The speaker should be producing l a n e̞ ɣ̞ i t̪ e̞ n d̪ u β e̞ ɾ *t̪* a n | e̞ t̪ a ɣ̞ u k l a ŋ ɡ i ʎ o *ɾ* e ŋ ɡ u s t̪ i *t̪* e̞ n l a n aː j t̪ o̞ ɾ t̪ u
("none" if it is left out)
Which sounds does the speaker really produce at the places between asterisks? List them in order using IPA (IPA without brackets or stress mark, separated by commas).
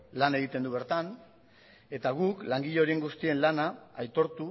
t̪, ɾ, none